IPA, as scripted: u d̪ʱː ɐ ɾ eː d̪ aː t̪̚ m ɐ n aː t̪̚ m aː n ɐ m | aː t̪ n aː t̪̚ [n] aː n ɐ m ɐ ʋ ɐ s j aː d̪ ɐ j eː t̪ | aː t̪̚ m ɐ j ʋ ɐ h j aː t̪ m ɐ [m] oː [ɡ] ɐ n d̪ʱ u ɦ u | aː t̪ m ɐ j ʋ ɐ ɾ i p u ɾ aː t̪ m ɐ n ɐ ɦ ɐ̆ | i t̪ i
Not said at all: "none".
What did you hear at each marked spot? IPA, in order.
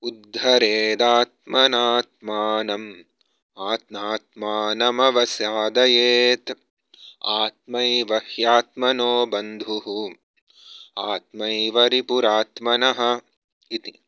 m, n, b

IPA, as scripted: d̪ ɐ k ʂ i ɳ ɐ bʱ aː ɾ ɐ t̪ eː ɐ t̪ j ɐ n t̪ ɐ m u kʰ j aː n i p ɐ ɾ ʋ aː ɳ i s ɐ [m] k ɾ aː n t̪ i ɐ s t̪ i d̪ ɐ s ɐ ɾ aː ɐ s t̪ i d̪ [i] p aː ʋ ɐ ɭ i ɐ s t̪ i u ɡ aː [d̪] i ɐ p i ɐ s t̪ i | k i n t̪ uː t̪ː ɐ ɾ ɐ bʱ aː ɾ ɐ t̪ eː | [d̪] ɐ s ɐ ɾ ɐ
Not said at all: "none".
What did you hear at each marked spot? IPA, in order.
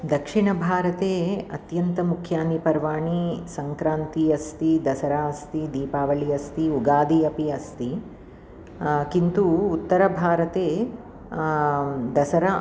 ŋ, iː, d̪, d̪

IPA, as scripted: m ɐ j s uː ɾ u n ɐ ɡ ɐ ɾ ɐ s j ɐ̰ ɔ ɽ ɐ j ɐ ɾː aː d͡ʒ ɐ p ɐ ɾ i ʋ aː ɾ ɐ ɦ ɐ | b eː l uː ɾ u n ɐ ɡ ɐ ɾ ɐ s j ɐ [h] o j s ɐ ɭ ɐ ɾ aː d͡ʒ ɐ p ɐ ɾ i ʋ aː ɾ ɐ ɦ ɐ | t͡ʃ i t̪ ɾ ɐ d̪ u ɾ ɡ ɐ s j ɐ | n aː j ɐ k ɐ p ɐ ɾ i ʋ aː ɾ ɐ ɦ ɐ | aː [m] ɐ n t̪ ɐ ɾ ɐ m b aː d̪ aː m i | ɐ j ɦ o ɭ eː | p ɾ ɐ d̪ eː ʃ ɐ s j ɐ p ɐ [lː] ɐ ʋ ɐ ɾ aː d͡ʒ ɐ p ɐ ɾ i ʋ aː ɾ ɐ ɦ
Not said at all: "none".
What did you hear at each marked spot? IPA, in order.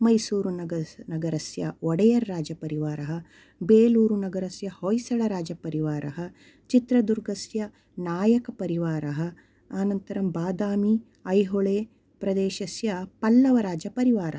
h, n, lː

